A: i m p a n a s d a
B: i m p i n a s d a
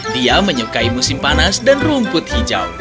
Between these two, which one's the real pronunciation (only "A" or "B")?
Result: A